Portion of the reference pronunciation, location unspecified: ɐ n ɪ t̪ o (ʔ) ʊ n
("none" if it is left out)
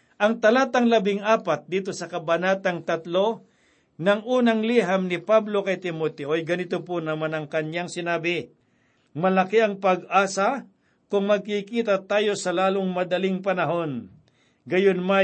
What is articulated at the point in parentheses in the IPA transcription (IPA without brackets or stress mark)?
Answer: p